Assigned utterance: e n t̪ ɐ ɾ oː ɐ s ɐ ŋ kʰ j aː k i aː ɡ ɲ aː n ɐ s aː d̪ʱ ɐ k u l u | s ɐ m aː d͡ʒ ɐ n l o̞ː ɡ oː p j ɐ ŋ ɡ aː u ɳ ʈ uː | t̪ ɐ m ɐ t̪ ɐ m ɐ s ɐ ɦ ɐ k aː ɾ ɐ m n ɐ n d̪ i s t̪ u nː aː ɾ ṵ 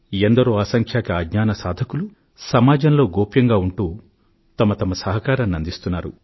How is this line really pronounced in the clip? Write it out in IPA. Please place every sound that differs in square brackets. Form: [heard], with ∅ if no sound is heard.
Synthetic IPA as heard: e n [d̪] ɐ ɾ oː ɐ s ɐ ŋ kʰ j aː k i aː ɡ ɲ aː n ɐ s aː d̪ʱ ɐ k u l u | s ɐ m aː d͡ʒ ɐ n l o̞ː ɡ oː p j ɐ ŋ ɡ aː u ɳ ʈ uː | t̪ ɐ m ɐ t̪ ɐ m ɐ s ɐ ɦ ɐ k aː ɾ ɐ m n ɐ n d̪ i s t̪ u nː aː ɾ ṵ